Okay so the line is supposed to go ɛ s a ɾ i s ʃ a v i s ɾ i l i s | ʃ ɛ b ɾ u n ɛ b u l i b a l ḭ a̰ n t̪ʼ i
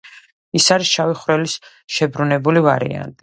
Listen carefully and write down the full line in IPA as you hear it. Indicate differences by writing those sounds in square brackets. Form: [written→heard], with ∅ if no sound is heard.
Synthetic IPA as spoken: [ɛ→i] s a ɾ i s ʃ a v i [s→χ] ɾ [i→ɛ] l i s | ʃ ɛ b ɾ u n ɛ b u l i [b→v] a [l→ɾ] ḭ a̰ n t̪ʼ i